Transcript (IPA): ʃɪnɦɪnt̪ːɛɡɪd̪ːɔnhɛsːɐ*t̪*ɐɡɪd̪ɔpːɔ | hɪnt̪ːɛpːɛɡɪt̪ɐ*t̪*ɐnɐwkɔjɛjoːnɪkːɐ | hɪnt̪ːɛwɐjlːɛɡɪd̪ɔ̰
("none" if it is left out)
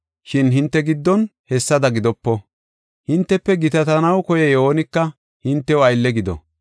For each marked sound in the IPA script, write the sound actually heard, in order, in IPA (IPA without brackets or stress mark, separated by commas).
d̪, t̪